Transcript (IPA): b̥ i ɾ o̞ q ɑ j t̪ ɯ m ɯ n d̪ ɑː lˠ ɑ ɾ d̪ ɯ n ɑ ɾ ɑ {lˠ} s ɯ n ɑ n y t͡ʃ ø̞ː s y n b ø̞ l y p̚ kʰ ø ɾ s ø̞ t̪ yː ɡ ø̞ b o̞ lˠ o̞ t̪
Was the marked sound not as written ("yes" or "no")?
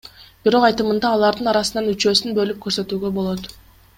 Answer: yes